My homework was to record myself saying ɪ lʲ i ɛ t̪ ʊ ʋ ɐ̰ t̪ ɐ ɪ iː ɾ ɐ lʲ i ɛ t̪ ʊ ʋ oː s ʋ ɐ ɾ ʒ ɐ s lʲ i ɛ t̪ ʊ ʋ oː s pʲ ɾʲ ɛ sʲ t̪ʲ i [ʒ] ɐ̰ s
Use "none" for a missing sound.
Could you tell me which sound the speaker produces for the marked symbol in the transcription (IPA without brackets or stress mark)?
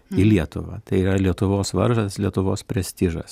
ʒ